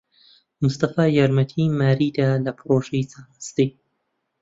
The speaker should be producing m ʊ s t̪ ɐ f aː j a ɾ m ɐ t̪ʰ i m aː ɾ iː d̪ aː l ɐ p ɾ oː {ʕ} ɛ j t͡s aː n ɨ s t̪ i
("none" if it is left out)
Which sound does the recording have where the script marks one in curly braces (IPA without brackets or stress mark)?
ʒ